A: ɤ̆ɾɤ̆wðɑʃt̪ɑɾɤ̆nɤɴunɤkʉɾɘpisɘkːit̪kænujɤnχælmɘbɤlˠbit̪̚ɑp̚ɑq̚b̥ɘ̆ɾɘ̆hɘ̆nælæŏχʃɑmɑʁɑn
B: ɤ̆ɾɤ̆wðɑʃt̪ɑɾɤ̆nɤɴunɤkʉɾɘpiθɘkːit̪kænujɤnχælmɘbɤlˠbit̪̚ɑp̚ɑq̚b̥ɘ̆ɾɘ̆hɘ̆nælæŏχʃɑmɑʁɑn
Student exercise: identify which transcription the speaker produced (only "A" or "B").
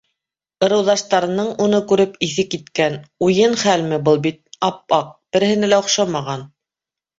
B